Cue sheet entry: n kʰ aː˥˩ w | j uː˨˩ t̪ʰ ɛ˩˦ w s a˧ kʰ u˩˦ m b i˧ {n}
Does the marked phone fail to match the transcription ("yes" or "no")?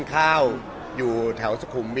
yes